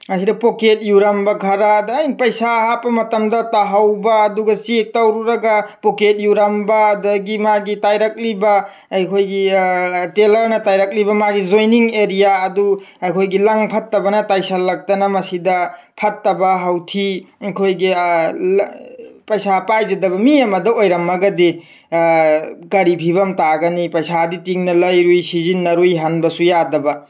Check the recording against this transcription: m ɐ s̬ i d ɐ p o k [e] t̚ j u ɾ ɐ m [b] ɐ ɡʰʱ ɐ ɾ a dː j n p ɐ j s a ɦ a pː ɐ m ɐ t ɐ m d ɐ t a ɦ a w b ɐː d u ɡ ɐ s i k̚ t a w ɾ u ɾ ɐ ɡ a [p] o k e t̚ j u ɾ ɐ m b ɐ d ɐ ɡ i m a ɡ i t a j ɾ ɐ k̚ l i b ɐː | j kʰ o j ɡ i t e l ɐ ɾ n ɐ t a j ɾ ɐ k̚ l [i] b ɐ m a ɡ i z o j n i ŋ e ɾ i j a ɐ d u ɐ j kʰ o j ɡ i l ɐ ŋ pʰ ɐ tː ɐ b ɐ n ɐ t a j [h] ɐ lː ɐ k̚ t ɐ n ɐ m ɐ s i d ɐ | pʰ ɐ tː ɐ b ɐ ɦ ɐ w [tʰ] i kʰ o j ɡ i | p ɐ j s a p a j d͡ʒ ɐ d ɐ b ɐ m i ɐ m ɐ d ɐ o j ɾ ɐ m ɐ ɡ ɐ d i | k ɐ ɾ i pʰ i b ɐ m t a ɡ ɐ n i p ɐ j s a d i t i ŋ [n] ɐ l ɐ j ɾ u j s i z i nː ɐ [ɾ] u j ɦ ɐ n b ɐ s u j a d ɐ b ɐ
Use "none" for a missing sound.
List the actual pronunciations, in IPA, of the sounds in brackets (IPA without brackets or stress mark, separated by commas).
e, b, p, i, s, tʰ, n, ɾ